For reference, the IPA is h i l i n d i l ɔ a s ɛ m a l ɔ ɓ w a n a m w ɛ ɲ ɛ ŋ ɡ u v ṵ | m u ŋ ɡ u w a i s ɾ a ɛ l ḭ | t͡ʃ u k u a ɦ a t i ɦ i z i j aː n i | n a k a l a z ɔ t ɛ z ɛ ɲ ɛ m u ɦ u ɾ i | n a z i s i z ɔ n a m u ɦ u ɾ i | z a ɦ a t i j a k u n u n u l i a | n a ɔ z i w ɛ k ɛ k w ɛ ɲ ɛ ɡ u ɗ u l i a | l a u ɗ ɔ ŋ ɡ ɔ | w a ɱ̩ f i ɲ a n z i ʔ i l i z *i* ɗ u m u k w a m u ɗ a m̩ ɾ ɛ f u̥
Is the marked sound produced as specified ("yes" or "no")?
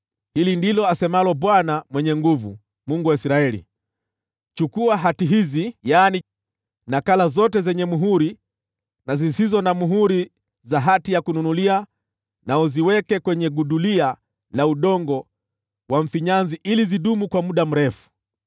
yes